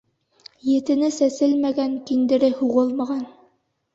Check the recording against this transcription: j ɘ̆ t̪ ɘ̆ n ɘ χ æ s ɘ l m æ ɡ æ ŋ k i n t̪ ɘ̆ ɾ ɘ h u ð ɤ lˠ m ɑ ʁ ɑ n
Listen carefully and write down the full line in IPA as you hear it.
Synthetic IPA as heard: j ɘ̆ t̪ ɘ̆ n ɘ s æ s ɘ l m æ ɡ æ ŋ k i n d̪ ɘ̆ ɾ ɘ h u ʁ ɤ lˠ m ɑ ʁ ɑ n